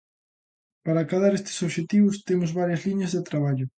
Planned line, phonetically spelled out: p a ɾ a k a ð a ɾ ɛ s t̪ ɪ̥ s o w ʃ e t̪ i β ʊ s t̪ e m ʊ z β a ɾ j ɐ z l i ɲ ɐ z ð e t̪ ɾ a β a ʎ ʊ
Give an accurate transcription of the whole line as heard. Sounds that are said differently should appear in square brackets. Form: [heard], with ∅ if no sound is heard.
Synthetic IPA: p a ɾ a k a ð a ɾ [e] s t̪ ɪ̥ s o [β] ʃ e t̪ i β ʊ s t̪ e m ʊ z β a ɾ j ɐ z l i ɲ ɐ z ð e t̪ ɾ a β a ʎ ʊ

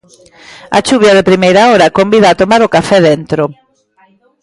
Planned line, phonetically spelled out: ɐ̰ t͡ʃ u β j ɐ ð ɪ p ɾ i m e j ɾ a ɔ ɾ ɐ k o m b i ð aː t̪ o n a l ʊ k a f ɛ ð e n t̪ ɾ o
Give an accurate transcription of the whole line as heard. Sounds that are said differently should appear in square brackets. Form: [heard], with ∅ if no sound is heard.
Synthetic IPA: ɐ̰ t͡ʃ u β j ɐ ð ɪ p ɾ i m e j ɾ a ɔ ɾ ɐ k o m b i ð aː t̪ o [m] a [ɾ] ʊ k a f ɛ ð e n t̪ ɾ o

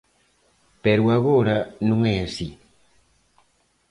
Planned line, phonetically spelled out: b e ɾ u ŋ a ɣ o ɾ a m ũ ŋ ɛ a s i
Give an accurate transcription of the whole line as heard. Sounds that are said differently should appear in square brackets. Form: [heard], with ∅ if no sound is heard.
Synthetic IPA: [p] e ɾ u [∅] a ɣ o ɾ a [n] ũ ŋ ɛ a s i

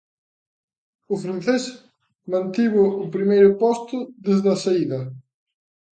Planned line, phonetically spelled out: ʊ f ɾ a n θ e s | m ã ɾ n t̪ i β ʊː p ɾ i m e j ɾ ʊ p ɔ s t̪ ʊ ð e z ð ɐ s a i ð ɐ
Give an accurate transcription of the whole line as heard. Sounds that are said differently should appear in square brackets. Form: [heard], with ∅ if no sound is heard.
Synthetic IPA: ʊ f ɾ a n θ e s | m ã [∅] n t̪ i β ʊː p ɾ i m e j ɾ ʊ p ɔ s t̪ ʊ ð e z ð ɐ s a i ð ɐ

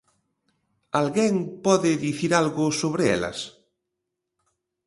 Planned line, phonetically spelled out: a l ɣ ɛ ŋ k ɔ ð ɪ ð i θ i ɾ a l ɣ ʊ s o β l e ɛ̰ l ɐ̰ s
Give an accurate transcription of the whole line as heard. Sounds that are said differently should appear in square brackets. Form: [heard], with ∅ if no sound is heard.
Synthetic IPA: a l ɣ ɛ ŋ [p] ɔ ð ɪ ð i θ i ɾ a l ɣ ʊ s o β [ɾ] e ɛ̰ l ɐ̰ s

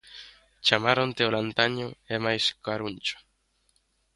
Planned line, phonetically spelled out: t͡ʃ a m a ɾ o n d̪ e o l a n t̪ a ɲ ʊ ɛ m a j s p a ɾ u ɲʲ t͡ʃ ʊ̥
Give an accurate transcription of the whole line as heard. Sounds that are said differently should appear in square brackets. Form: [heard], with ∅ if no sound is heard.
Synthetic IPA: t͡ʃ a m a ɾ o n [t̪] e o l a n t̪ a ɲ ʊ ɛ m a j s [k] a ɾ u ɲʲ t͡ʃ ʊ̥

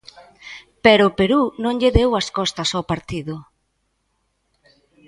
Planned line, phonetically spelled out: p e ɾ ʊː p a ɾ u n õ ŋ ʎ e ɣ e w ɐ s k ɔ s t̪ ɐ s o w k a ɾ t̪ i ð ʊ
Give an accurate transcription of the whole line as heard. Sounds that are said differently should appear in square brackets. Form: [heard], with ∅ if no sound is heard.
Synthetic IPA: p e ɾ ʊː p [e] ɾ u n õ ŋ ʎ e [ð] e w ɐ s k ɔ s t̪ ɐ s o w [p] a ɾ t̪ i ð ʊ

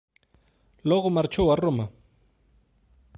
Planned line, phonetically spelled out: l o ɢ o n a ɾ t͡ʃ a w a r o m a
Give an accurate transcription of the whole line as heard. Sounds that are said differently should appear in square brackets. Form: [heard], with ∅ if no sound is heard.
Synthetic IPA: l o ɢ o [m] a ɾ t͡ʃ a w a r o m a

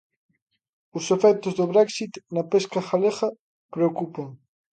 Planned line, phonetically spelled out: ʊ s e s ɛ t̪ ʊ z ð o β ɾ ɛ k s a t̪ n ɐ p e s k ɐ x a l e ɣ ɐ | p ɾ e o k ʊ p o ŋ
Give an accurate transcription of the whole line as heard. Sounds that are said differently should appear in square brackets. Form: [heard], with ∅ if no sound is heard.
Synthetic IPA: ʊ s e [f] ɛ t̪ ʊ z ð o β ɾ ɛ k s [i] t̪ n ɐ p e s k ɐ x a l e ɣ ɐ | p ɾ e o k [u] p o ŋ

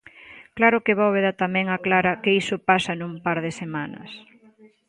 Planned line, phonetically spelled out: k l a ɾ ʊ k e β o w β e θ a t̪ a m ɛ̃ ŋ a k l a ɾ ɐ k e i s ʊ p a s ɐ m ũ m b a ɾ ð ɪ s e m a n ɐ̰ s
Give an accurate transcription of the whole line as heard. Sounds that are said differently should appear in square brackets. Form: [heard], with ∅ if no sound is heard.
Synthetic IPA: k l a ɾ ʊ k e β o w β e [ð] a t̪ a m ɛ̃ ŋ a k l a ɾ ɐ k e i s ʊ p a s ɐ [n] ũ m [p] a ɾ ð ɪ s e m a n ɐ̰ s

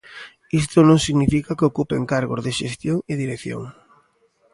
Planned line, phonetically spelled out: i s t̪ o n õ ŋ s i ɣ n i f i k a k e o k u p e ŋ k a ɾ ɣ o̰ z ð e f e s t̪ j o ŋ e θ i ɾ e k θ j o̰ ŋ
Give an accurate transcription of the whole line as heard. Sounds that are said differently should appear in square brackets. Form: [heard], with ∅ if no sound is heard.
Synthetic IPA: i s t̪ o n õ ŋ s i ɣ n i f i k a k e o k u p e ŋ k a ɾ ɣ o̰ z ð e [ʃ] e s t̪ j o ŋ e [ð] i ɾ e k θ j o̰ ŋ

